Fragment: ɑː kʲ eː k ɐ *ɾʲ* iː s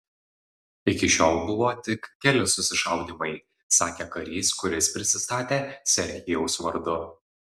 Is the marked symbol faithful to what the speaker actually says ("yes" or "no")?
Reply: yes